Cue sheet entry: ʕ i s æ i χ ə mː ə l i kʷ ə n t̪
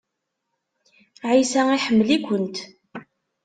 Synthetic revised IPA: ʕ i s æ i ħ ə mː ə l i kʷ ə n t̪